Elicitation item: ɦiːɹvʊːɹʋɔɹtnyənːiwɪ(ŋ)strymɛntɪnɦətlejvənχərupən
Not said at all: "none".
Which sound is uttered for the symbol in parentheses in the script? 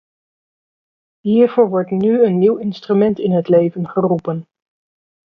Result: n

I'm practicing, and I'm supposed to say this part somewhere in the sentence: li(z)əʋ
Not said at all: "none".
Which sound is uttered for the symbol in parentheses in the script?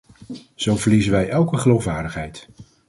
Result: z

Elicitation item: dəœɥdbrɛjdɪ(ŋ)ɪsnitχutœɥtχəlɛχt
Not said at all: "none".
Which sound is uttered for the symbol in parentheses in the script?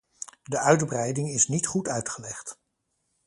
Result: ŋ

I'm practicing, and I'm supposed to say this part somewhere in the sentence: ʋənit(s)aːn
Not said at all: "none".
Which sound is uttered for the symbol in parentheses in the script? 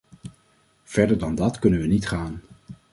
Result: χ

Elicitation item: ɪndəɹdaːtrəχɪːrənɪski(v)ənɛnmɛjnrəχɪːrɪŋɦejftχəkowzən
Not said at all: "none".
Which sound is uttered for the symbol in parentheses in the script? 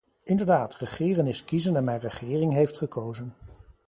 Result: z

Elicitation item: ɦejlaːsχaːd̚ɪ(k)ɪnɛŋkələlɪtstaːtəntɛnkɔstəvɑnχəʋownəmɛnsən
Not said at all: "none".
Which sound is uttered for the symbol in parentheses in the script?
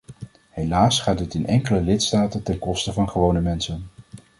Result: t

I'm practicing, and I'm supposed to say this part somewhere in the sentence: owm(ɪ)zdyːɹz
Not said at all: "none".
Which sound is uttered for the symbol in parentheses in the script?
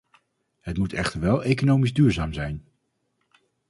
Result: i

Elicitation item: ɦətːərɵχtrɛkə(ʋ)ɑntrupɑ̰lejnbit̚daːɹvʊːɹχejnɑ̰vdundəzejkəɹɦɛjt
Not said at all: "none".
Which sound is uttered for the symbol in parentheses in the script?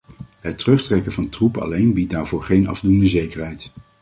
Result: v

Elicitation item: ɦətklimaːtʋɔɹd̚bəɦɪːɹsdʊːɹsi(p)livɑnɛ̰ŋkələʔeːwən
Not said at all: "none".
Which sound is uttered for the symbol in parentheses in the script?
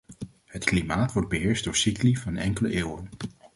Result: k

